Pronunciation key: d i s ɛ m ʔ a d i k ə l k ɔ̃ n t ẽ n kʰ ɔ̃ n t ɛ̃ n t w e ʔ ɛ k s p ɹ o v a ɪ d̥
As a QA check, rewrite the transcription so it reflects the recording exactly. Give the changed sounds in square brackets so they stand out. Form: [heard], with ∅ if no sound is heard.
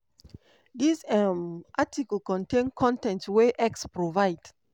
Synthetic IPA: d i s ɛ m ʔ a [t] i k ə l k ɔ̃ n t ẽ n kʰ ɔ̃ n t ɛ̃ n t w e ʔ ɛ k s p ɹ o v a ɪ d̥